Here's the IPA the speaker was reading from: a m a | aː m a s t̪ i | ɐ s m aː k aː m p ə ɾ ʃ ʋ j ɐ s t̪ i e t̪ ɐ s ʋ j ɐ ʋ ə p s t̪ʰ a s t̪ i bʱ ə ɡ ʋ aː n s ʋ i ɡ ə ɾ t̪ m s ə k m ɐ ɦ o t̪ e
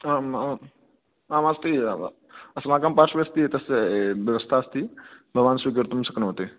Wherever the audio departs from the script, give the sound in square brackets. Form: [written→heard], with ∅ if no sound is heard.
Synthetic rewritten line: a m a | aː m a s t̪ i | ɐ s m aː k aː m p [ə→a] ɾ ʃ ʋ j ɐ s t̪ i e t̪ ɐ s ʋ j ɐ ʋ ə [p→∅] s t̪ʰ a s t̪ i bʱ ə ɡ ʋ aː n s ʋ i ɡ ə ɾ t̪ m s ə k [m→n] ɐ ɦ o t̪ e